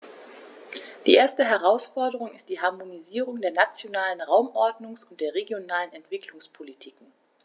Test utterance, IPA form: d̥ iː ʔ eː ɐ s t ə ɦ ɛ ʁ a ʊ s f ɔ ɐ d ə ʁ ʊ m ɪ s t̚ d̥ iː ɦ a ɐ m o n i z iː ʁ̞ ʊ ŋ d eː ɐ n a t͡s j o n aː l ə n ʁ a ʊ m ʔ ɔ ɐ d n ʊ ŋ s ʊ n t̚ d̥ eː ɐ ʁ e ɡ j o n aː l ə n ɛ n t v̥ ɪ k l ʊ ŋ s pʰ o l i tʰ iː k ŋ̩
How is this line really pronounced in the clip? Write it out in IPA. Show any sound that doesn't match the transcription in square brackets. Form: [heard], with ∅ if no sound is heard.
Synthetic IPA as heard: d̥ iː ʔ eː ɐ s t ə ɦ ɛ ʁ a ʊ s f ɔ ɐ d ə ʁ ʊ [ŋ] ɪ s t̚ d̥ iː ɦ a ɐ m o n i z iː ʁ̞ ʊ ŋ d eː ɐ n a t͡s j o n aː l ə n ʁ a ʊ m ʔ ɔ ɐ d n ʊ ŋ s ʊ n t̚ d̥ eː ɐ ʁ e ɡ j o n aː l ə n ɛ n t v̥ ɪ k l ʊ ŋ s pʰ o l i tʰ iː k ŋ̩